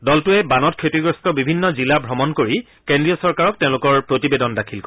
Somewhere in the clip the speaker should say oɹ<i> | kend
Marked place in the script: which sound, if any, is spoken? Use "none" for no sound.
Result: i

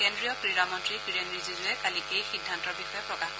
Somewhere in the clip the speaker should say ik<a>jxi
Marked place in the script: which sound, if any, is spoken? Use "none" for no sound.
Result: e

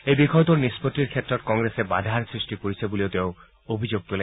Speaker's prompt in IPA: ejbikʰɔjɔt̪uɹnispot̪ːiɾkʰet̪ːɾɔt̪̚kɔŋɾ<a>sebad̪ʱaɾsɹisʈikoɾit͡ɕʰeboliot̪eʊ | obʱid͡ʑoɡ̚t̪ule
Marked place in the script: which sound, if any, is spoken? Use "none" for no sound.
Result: e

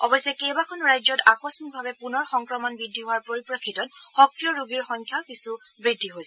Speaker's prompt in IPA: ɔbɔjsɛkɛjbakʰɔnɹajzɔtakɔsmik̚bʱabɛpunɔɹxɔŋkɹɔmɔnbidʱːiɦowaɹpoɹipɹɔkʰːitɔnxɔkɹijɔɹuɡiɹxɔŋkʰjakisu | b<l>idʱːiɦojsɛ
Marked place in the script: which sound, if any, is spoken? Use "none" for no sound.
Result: ɹ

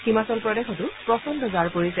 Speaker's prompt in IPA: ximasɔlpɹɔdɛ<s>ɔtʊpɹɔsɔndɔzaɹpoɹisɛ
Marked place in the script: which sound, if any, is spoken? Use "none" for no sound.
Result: x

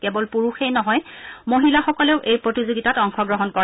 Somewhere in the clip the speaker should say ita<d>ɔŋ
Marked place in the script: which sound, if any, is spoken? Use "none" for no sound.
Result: t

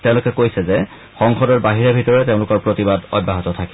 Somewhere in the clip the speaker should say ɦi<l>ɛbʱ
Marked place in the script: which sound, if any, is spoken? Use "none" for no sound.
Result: ɹ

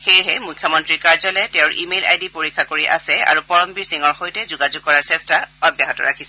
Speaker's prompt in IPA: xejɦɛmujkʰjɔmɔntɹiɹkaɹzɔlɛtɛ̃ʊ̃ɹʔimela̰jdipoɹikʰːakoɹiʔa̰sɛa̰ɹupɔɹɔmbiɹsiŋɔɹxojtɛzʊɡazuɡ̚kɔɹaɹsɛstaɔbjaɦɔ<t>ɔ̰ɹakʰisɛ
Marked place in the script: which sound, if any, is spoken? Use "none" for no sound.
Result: t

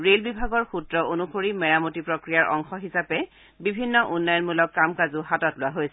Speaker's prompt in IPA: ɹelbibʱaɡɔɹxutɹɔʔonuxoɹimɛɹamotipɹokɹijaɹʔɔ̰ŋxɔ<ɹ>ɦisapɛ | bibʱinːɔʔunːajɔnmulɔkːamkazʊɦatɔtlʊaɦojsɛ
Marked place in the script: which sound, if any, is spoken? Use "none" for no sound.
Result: none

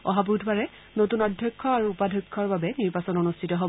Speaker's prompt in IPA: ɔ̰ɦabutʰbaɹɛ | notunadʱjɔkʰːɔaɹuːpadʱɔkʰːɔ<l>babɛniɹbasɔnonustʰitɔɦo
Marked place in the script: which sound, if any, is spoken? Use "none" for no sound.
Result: ɹ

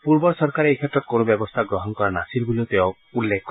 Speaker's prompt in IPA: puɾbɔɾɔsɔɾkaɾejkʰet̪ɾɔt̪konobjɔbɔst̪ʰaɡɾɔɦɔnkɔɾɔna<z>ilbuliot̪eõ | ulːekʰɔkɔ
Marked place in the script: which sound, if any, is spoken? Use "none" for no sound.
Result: s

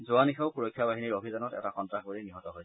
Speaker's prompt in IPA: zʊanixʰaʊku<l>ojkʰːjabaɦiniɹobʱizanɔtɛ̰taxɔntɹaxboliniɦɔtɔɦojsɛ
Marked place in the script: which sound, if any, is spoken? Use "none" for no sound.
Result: ɹ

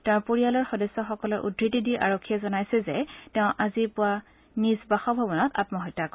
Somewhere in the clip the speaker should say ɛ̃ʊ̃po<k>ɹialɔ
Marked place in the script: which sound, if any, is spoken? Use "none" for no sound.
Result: none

